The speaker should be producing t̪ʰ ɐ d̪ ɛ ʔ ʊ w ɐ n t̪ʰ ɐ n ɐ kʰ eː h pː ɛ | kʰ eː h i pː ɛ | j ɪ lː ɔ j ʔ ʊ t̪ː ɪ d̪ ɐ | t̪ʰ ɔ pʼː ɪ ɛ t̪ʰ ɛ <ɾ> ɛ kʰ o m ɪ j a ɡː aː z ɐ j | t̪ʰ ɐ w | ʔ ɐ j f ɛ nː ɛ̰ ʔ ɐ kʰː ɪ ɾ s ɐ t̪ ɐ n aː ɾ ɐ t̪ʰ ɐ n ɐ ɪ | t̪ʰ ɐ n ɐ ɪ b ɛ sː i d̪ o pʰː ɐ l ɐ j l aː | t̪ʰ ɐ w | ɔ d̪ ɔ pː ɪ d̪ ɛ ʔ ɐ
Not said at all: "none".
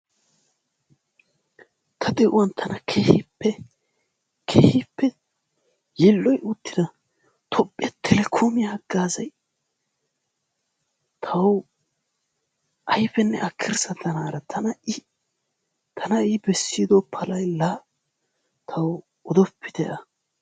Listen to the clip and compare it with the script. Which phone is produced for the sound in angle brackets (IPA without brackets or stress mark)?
l